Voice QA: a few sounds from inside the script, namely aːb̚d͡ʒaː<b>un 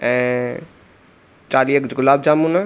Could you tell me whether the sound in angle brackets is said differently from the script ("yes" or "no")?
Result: yes